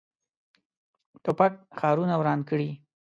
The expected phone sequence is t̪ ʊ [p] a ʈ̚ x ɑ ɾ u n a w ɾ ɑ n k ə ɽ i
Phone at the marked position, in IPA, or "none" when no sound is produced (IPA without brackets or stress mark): p